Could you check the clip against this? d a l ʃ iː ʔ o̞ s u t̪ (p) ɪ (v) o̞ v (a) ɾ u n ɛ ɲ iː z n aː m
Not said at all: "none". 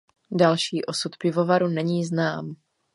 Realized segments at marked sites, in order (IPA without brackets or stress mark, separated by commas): p, v, a